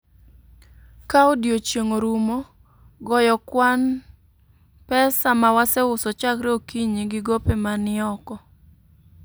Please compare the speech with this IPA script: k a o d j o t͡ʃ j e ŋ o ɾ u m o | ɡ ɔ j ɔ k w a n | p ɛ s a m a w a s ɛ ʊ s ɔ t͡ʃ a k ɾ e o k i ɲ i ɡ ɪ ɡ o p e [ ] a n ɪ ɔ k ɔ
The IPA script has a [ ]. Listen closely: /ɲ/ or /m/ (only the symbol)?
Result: m